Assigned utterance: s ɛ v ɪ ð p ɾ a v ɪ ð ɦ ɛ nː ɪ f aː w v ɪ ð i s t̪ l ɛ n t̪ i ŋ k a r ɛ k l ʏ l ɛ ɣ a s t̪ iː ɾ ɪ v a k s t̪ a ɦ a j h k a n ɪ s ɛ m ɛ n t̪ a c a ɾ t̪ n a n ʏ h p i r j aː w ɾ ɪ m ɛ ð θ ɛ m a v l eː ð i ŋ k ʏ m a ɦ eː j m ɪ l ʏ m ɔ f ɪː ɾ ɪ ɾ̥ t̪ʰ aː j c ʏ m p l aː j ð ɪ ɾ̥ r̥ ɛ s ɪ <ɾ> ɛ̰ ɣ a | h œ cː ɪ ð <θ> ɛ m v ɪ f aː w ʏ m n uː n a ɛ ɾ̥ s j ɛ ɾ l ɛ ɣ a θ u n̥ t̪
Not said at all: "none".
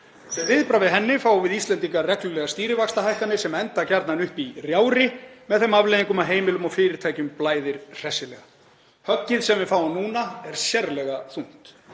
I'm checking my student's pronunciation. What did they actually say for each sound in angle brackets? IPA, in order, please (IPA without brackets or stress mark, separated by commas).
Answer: l, s